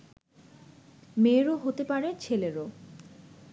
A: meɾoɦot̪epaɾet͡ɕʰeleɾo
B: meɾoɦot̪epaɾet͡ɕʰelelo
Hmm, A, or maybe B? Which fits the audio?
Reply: A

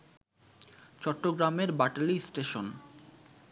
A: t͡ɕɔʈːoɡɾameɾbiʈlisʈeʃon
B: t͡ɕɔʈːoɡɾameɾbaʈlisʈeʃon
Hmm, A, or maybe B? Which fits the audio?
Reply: B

